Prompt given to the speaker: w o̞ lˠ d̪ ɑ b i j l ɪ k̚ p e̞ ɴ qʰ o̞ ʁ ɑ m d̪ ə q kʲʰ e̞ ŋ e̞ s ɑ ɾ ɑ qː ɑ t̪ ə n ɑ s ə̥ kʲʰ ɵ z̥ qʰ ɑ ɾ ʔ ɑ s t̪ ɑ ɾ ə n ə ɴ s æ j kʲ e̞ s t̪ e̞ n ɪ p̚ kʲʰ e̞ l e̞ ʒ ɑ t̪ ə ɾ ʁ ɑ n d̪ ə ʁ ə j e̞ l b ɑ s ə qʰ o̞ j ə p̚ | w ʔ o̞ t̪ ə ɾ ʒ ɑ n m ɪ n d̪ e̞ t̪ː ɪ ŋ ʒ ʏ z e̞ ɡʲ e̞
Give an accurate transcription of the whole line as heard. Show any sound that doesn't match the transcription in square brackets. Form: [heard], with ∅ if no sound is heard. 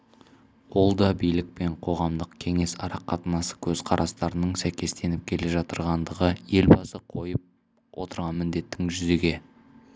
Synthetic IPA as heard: w o̞ lˠ d̪ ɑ b i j l ɪ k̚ p e̞ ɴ qʰ o̞ ʁ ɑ m d̪ ə q kʲʰ e̞ ŋ e̞ s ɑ ɾ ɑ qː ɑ t̪ ə n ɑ s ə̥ kʲʰ ɵ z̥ qʰ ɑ ɾ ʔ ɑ s t̪ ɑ ɾ ə n ə ɴ s æ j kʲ e̞ s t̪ e̞ n ɪ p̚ kʲʰ e̞ l e̞ ʒ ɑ t̪ ə ɾ ʁ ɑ n d̪ ə ʁ ə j e̞ l b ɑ s ə qʰ o̞ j ə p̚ | w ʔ o̞ t̪ ə ɾ [ʁ] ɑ n m ɪ n d̪ e̞ t̪ː ɪ ŋ ʒ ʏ z e̞ ɡʲ e̞